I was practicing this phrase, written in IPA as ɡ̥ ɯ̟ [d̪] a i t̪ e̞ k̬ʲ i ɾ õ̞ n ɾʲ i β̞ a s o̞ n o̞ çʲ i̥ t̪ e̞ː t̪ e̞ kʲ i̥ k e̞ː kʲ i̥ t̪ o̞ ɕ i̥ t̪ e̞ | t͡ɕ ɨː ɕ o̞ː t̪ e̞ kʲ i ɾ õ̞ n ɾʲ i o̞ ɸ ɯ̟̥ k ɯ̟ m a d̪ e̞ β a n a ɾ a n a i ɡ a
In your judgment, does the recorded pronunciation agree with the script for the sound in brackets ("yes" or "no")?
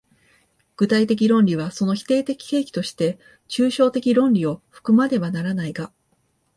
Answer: no